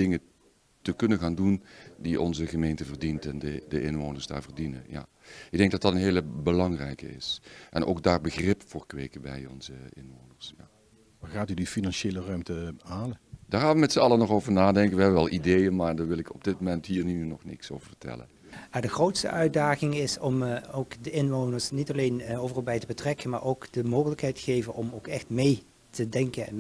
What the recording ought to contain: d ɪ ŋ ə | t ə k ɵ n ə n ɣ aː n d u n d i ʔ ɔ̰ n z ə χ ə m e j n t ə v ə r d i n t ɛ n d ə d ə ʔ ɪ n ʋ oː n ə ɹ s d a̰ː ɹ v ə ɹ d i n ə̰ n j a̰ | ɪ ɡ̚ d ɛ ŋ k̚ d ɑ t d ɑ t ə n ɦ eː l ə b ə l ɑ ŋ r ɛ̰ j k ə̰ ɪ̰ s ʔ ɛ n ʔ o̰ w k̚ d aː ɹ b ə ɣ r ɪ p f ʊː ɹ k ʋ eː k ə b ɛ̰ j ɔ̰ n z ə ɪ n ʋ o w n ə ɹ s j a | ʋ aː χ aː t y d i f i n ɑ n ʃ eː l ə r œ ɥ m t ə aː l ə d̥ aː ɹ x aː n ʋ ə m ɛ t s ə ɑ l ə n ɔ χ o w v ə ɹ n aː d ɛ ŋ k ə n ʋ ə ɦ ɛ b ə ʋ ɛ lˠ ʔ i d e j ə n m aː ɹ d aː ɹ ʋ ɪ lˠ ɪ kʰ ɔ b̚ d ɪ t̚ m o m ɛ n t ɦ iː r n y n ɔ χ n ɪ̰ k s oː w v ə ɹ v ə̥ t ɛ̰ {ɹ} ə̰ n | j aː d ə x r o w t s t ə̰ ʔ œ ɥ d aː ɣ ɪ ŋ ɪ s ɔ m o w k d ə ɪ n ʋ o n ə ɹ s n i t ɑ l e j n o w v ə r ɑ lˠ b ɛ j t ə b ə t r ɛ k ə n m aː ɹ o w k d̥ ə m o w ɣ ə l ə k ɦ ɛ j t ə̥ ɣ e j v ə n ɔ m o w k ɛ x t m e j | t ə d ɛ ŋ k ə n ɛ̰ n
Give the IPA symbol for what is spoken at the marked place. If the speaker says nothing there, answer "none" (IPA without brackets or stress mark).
l